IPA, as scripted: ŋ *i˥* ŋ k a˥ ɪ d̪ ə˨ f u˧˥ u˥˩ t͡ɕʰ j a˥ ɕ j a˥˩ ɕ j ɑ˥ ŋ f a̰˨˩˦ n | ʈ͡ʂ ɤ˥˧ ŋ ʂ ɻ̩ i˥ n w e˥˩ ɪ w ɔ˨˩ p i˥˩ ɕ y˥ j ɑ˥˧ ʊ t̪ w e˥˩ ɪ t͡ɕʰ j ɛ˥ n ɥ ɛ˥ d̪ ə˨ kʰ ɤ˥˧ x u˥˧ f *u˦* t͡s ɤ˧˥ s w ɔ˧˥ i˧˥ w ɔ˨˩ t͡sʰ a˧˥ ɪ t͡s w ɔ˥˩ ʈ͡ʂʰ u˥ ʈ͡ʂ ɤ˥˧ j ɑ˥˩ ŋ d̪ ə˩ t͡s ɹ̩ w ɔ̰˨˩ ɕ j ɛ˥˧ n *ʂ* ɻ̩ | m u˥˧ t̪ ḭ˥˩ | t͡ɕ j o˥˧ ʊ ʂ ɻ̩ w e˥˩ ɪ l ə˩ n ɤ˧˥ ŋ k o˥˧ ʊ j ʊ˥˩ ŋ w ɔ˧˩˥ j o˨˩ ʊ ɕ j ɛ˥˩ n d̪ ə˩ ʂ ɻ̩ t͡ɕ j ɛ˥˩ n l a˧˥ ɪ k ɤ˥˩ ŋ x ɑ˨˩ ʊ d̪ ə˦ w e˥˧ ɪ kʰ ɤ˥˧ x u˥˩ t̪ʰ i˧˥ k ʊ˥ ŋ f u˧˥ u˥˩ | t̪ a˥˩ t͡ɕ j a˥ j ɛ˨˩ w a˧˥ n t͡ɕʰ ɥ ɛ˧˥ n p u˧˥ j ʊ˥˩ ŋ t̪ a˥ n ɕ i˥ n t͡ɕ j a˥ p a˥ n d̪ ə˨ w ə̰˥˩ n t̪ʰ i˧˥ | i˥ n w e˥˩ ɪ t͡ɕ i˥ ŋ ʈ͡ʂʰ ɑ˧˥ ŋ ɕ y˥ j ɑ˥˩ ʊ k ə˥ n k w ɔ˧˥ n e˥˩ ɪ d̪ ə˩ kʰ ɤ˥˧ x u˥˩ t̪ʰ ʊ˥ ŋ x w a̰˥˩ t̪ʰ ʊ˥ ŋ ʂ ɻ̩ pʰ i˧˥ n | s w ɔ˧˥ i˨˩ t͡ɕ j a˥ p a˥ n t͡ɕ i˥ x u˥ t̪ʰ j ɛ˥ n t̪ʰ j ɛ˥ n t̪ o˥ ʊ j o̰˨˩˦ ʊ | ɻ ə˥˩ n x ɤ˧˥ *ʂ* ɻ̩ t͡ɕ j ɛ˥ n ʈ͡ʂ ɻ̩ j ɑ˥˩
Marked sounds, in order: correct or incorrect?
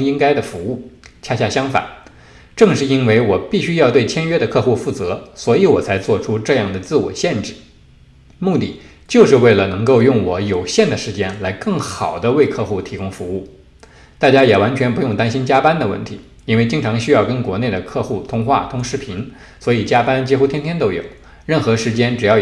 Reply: correct, incorrect: u˥˩, incorrect: ʈ͡ʂ, correct

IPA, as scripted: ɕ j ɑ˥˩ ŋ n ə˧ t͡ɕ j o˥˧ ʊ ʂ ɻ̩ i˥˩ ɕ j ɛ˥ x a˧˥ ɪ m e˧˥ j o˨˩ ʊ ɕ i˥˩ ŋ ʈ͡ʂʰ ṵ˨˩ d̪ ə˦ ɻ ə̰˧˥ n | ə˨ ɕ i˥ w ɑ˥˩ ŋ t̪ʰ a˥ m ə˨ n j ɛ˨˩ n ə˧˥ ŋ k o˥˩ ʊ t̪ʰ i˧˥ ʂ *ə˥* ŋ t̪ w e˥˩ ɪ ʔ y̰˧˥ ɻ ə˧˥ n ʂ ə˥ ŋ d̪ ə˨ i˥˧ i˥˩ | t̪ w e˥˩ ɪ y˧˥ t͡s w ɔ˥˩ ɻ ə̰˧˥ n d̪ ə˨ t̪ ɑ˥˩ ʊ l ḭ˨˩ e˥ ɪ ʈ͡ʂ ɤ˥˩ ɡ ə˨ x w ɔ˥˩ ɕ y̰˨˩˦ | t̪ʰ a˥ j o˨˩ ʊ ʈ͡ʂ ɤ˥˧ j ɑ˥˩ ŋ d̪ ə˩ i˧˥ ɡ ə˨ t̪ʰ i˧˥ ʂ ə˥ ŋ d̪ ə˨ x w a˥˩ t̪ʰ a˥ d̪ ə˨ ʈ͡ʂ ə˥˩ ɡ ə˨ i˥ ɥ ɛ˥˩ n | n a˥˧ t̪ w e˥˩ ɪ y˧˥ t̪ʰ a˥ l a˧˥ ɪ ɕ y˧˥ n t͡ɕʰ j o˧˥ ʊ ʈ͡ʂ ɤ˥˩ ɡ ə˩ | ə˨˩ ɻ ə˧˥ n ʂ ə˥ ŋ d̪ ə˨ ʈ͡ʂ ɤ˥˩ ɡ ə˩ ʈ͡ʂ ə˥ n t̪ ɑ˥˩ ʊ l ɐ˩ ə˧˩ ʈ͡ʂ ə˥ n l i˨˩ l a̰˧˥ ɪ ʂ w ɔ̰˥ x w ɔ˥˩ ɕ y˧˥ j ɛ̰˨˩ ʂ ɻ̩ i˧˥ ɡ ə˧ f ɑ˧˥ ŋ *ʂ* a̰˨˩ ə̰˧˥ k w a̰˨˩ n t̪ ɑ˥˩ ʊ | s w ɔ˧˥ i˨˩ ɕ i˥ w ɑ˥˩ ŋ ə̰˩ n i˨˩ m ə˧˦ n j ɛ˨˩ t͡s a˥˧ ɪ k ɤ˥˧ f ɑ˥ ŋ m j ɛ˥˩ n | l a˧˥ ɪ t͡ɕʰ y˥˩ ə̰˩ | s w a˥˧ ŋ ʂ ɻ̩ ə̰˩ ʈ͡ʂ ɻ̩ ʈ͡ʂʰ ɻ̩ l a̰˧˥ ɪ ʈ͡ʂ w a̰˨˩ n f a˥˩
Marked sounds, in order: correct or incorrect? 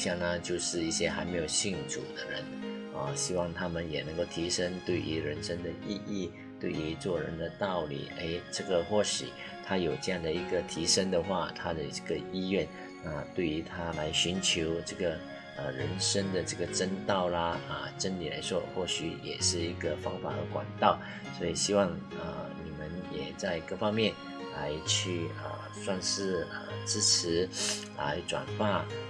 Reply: correct, incorrect: f

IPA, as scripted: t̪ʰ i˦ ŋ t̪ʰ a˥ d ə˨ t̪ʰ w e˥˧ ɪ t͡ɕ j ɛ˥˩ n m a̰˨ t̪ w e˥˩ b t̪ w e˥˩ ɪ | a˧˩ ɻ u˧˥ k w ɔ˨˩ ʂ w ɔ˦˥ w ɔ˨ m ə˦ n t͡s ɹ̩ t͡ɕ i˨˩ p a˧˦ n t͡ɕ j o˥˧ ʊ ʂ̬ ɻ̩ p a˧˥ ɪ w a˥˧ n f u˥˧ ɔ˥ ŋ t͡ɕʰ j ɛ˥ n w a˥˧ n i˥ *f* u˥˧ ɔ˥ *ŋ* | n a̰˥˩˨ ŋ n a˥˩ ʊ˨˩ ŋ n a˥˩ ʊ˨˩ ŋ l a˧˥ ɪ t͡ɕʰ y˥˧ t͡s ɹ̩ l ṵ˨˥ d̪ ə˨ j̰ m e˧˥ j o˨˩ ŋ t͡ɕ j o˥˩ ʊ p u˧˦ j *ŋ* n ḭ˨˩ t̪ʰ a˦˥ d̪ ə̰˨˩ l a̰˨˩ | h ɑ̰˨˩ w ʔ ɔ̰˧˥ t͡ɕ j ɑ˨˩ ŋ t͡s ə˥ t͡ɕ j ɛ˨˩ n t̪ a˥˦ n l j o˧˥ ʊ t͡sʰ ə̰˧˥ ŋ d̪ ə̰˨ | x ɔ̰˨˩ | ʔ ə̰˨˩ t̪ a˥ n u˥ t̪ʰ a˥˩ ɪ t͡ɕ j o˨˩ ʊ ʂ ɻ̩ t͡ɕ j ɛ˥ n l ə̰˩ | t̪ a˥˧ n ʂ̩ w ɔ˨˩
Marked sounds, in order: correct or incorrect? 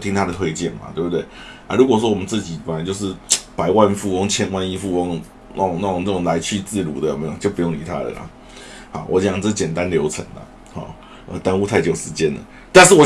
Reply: correct, correct, correct

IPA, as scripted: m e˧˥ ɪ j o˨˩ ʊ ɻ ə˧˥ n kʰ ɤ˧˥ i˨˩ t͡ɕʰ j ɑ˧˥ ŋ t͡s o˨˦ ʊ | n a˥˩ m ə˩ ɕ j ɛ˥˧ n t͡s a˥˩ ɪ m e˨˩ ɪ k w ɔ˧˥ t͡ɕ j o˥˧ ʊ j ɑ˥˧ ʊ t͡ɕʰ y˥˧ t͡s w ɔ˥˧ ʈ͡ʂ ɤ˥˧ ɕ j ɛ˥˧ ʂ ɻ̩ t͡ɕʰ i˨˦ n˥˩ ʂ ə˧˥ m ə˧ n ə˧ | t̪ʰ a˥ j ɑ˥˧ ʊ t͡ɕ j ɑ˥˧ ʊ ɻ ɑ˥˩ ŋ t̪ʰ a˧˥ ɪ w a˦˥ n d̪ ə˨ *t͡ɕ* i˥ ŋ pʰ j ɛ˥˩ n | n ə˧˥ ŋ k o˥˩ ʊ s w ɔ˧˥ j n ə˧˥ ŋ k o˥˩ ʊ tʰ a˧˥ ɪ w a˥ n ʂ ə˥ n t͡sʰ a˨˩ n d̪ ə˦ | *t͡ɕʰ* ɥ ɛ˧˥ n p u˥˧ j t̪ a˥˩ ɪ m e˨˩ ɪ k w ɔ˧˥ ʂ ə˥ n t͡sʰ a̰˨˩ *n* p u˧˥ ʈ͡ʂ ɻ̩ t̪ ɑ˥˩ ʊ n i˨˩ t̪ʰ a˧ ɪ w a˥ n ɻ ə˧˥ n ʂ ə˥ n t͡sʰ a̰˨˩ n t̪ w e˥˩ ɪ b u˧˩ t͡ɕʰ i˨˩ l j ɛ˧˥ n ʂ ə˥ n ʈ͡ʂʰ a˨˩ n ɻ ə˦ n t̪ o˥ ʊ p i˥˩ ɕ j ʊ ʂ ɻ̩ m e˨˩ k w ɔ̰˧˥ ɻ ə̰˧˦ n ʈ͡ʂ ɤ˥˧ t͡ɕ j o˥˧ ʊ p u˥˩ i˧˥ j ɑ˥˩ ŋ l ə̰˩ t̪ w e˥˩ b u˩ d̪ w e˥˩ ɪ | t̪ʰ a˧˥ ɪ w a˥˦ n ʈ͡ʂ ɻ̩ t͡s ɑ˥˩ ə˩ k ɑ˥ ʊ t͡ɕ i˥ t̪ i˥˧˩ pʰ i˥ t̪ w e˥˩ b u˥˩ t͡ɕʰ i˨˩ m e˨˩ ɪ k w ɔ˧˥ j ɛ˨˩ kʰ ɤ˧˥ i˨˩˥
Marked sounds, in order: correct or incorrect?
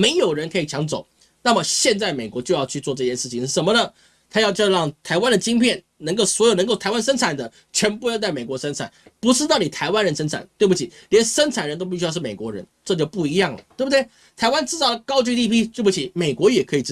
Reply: correct, correct, correct

